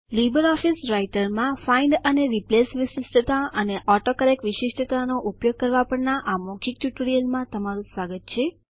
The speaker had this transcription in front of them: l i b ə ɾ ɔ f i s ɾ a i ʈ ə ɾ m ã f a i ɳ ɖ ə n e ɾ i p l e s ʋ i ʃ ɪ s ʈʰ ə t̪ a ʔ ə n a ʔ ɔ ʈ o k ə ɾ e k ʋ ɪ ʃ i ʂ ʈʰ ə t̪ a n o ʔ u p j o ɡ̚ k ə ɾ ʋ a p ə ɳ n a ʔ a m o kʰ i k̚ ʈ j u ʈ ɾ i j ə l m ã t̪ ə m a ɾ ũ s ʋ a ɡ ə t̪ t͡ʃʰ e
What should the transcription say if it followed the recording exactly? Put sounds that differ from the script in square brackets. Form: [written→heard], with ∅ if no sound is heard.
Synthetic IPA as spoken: l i b ə ɾ ɔ f i s ɾ a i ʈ ə ɾ m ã f a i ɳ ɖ ə n e ɾ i p l e s ʋ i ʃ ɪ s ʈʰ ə t̪ a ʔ ə n [a→e] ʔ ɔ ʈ o k ə ɾ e k ʋ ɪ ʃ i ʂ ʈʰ ə t̪ a n o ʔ u p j o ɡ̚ k ə ɾ ʋ a p ə ɳ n a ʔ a m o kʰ i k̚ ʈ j u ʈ ɾ i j ə l m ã t̪ ə m a ɾ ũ s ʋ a ɡ ə t̪ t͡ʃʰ e